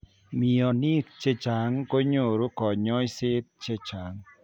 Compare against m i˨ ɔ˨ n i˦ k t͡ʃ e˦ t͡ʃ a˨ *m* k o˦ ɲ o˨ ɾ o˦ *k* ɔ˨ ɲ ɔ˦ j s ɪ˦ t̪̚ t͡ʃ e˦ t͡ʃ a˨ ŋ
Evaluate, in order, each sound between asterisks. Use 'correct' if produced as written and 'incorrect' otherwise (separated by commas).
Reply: incorrect, correct